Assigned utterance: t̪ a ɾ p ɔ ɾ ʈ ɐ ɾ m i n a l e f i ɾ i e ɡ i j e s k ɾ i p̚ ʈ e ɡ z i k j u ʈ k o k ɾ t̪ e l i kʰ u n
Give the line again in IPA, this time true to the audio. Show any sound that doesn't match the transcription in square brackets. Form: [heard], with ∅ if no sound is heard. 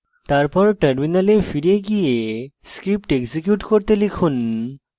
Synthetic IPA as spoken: t̪ a ɾ p ɔ ɾ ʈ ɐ ɾ m i n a l e f i ɾ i e ɡ i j e s k ɾ i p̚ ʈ e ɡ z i k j u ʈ k o [∅] ɾ t̪ e l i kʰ u n